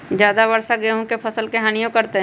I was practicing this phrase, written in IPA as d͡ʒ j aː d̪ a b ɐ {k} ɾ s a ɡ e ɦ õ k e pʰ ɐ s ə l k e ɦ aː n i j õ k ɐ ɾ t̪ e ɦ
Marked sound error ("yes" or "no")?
yes